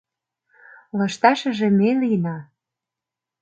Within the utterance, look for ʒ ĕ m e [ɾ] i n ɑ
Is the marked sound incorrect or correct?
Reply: incorrect